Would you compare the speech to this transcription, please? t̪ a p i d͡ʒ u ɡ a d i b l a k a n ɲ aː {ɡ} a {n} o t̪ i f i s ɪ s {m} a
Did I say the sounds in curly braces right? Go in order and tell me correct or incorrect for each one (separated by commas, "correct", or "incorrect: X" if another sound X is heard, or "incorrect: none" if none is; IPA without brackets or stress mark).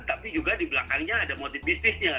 incorrect: d, incorrect: m, incorrect: ɲ